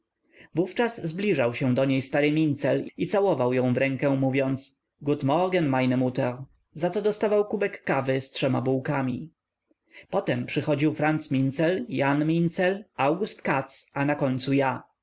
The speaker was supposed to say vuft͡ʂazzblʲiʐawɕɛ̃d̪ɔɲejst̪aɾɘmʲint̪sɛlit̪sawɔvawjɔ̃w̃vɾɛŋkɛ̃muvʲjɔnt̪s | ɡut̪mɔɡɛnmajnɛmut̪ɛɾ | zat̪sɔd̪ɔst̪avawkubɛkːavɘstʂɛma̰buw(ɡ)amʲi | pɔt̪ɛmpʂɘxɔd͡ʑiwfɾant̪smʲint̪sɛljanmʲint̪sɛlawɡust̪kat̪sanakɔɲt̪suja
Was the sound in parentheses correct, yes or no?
no